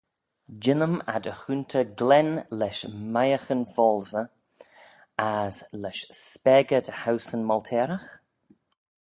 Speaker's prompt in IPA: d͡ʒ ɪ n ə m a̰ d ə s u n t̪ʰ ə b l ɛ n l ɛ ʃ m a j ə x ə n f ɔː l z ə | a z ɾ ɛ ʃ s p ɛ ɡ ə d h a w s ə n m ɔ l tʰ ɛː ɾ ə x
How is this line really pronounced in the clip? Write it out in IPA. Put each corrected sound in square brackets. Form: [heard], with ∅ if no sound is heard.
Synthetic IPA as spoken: d͡ʒ ɪ n ə m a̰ d ə [x] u n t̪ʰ ə [ɡ] l ɛ n l ɛ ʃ m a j ə x ə n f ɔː l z ə | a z [l] ɛ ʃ s p ɛ ɡ ə d h a w s ə n m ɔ l tʰ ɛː ɾ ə x